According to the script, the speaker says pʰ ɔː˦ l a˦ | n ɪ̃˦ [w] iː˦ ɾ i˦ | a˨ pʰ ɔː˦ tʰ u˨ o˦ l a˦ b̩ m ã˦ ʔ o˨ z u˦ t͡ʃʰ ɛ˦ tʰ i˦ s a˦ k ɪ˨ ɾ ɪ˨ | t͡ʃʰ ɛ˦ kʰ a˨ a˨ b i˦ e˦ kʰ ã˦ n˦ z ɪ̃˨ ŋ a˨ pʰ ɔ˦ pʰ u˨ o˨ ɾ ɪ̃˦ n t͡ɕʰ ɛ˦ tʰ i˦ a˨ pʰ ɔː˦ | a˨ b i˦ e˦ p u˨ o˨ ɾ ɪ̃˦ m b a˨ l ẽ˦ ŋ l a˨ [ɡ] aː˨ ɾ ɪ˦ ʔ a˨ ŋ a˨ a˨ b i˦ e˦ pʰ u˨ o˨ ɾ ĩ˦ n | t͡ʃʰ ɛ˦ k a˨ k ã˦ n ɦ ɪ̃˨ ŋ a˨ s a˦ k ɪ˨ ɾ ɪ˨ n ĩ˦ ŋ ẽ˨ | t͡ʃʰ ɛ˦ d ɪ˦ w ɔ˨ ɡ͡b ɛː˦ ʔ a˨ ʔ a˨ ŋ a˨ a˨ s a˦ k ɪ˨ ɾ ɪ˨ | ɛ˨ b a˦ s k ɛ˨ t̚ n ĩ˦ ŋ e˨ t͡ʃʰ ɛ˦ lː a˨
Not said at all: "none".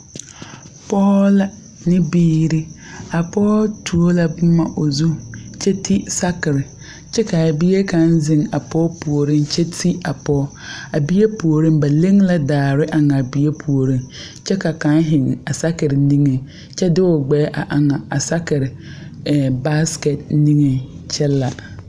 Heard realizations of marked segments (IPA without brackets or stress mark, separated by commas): b, d